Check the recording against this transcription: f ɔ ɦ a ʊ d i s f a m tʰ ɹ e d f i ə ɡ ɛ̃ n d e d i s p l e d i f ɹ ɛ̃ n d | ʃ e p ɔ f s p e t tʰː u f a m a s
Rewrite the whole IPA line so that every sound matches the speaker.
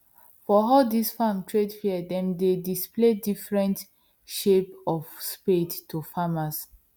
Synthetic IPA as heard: f ɔ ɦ a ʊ d i s f a m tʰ ɹ e d f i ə d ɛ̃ m d e d i s p l e d i f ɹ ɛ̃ n t | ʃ e p ɔ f s p e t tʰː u f a m a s